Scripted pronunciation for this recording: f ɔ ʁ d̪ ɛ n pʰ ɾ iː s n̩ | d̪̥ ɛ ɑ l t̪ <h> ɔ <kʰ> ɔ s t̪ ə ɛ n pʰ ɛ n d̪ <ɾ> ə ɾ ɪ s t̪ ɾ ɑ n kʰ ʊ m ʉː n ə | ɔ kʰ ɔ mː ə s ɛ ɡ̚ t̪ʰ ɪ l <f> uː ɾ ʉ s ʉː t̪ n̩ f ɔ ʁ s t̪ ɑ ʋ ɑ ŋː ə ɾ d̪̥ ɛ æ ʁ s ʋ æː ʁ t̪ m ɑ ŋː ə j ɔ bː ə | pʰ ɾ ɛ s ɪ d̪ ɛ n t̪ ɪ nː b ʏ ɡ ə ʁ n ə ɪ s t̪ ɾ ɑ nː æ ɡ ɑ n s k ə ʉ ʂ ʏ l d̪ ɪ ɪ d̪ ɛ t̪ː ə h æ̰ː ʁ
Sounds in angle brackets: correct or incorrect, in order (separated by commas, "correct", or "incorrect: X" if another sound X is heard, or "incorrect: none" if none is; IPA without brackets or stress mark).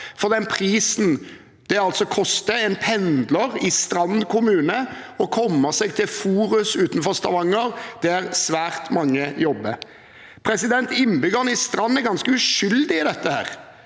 incorrect: s, correct, incorrect: l, correct